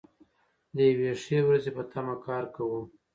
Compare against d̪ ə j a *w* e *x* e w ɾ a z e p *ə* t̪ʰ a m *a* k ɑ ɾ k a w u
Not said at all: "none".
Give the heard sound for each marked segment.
w, ʂ, ə, a

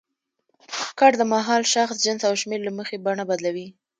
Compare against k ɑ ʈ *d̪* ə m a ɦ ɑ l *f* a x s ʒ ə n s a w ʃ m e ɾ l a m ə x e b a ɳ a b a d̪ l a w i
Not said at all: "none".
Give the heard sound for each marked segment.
d̪, ʃ

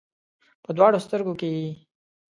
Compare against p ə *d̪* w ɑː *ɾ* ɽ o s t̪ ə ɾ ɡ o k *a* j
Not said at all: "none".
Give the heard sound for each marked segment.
d̪, none, e

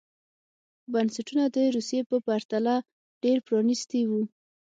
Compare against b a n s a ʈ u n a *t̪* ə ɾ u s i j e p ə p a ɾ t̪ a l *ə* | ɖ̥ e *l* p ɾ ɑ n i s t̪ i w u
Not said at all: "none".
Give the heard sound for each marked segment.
d̪, a, ɾ

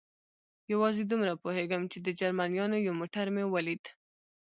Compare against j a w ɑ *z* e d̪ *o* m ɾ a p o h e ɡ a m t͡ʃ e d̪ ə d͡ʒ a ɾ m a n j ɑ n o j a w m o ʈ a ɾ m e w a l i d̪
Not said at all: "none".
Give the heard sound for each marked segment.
z, u

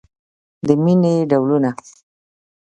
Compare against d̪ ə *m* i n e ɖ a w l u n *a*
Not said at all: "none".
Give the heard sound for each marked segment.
m, a

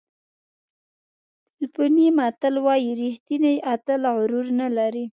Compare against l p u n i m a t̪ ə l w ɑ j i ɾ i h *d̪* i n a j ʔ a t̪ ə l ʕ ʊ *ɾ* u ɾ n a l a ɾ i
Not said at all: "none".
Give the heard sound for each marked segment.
t̪, ɾ

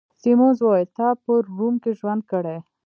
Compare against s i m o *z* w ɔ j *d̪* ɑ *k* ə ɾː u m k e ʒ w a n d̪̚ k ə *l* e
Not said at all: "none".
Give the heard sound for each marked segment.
z, t̪, p, ɽ

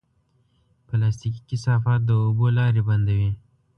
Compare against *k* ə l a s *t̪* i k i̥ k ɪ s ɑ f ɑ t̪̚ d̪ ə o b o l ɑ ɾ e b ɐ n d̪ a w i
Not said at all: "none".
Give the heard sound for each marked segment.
p, t̪

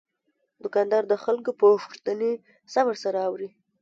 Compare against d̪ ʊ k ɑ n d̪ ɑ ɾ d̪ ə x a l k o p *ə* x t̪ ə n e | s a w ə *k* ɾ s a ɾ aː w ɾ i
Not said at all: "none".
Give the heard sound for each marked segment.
ə, none

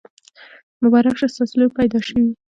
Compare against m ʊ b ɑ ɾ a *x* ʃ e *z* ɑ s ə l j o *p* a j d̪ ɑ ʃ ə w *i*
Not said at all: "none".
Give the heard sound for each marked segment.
k, s, p, i

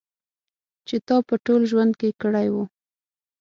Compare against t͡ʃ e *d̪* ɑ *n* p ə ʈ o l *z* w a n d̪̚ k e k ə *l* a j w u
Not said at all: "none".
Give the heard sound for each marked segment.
t̪, none, ʒ, ɽ

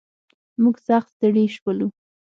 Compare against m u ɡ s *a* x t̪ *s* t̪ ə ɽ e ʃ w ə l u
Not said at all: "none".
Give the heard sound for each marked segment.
a, s

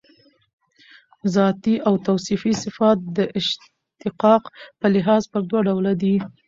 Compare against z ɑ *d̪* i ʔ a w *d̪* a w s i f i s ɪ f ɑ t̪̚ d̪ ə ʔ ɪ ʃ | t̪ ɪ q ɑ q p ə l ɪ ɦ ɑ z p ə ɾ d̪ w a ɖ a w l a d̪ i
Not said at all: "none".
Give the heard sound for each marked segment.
t̪, t̪

